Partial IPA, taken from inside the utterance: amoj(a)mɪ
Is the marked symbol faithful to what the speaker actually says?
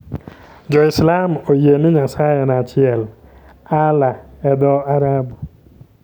no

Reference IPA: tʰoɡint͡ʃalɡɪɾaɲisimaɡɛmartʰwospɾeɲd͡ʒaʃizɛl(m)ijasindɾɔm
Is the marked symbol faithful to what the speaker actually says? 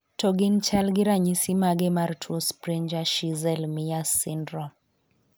yes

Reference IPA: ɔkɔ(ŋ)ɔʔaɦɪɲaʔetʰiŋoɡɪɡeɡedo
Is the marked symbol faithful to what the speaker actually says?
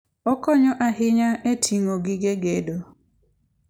no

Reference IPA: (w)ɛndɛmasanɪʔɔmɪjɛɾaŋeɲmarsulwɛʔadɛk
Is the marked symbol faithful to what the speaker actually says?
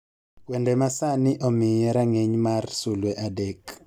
yes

